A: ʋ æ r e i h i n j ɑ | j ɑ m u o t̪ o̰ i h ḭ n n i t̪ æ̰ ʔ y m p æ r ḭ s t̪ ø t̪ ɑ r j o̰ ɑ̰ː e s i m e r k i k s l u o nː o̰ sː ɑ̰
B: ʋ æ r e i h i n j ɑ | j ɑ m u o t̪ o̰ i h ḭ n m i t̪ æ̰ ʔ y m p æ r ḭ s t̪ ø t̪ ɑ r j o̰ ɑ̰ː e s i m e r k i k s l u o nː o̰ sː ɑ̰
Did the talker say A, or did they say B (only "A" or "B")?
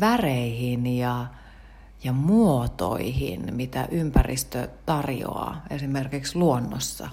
B